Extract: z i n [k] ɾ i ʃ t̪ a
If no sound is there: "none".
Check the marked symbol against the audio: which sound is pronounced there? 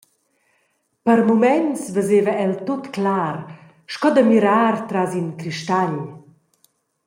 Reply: k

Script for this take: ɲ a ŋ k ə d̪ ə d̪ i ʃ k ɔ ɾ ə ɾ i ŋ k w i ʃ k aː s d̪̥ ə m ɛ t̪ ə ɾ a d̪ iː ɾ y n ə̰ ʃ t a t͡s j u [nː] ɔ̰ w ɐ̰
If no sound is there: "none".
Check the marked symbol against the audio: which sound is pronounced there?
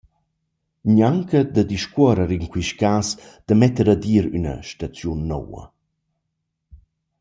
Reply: nː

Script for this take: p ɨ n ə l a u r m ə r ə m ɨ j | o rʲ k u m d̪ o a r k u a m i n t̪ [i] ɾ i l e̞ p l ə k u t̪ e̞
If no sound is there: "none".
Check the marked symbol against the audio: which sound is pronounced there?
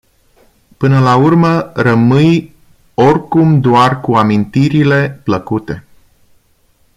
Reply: i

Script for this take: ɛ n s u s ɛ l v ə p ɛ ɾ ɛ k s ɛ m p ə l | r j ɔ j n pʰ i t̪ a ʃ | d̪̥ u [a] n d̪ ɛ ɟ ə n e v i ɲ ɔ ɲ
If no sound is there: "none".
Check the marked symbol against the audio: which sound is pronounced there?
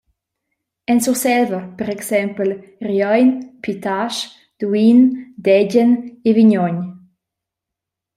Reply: i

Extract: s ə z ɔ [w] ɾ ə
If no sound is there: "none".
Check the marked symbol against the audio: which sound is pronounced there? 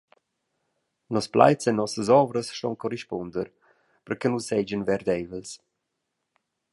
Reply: v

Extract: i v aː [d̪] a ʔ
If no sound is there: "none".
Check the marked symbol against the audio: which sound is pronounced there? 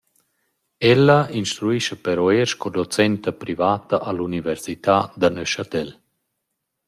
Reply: t̪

